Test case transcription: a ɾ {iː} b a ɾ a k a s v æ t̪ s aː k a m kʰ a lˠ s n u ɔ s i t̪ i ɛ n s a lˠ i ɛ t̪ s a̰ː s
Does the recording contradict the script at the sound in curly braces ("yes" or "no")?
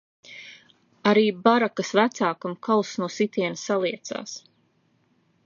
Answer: no